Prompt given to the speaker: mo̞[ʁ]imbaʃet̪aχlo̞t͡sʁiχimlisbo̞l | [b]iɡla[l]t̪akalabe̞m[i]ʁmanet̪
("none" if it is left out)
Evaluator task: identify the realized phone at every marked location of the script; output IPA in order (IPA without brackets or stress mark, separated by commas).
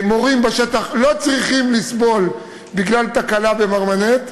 ʁ, b, l, a